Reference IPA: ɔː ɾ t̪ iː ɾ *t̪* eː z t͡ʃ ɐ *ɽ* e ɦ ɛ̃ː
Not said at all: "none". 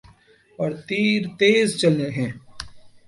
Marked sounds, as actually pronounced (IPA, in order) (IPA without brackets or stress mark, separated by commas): t̪, l